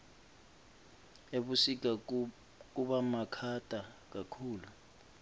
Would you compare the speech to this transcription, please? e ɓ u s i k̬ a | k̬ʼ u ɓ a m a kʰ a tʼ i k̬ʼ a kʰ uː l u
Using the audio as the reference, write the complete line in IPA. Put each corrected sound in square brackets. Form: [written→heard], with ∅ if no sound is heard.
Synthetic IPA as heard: e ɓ u s i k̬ a | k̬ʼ u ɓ a m a kʰ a tʼ [i→a] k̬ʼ a kʰ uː l u